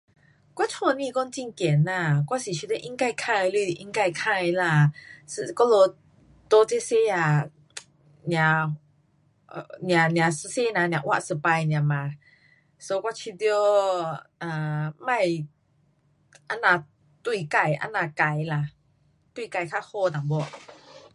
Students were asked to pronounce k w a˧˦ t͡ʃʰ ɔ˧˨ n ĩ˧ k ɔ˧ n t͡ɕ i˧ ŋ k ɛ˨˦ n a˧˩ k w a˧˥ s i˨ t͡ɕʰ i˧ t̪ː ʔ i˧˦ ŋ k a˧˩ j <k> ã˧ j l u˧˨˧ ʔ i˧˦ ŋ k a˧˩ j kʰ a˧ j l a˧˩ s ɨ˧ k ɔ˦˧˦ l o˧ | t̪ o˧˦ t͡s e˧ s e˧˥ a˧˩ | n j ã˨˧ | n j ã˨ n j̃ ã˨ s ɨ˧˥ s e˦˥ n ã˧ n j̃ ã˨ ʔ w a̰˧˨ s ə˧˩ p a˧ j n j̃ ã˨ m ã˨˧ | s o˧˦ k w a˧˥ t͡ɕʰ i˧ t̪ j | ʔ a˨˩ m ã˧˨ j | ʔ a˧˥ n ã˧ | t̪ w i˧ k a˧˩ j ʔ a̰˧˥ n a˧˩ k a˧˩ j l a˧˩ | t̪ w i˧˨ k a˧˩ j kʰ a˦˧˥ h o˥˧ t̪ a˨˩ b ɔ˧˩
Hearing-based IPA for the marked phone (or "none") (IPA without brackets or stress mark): kʰ